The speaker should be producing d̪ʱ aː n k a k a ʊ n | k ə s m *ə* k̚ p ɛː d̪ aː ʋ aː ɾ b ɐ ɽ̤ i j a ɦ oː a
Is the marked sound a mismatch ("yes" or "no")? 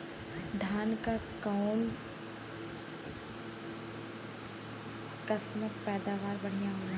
no